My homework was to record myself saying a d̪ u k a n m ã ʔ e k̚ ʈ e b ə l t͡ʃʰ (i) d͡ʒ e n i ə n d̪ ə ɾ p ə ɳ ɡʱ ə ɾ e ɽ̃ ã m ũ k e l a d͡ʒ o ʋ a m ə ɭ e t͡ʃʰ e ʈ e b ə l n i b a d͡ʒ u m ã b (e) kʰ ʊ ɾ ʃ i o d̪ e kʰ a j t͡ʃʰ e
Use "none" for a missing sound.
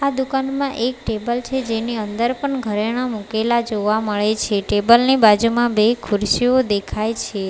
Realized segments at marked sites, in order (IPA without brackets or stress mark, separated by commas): e, e